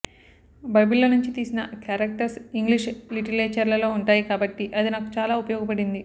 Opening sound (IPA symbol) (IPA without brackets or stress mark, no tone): b